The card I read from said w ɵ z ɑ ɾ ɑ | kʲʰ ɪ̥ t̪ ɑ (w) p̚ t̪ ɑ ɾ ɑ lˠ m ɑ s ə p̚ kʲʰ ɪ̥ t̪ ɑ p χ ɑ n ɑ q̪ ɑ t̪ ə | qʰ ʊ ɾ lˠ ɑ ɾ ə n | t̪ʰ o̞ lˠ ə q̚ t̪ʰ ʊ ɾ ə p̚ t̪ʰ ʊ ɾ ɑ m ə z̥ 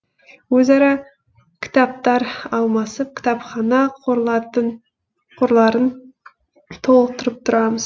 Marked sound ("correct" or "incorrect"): incorrect